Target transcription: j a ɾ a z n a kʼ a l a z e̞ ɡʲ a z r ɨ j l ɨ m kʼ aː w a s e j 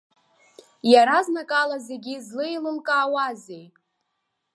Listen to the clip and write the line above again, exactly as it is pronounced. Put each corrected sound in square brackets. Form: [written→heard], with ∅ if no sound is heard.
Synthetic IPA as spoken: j a ɾ a z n a kʼ a l a z e̞ ɡʲ [a→i] z [r→l] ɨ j l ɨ m kʼ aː w a [s→z] e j